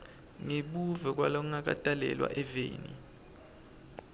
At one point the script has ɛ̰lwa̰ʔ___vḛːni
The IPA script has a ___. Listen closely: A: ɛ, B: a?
A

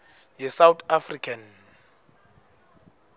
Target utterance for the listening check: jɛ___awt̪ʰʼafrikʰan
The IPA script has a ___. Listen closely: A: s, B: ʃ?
A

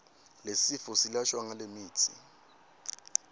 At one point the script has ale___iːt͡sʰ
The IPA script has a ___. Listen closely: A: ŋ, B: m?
B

